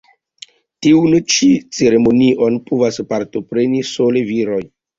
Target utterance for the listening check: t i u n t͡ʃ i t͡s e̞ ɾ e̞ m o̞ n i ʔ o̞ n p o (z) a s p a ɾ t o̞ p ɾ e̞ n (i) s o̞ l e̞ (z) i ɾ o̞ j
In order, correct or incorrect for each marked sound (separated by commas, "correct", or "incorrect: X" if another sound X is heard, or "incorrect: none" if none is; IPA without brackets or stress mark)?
incorrect: v, correct, incorrect: v